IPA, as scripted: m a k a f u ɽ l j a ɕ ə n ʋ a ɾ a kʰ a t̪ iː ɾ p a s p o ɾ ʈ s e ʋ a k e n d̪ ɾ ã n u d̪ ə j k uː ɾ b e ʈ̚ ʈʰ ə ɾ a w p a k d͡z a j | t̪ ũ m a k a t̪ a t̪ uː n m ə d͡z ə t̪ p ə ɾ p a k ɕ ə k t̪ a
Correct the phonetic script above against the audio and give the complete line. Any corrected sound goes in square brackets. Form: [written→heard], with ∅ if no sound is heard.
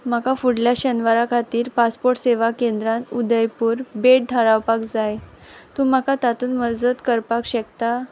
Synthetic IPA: m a k a f u ɽ l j a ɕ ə n ʋ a ɾ a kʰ a t̪ iː ɾ p a s p o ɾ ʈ s e ʋ a k e n d̪ ɾ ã n u d̪ ə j [k→p] uː ɾ b e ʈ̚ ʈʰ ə ɾ a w p a k d͡z a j | t̪ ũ m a k a t̪ a t̪ uː n m ə d͡z ə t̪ [p→k] ə ɾ p a k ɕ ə k t̪ a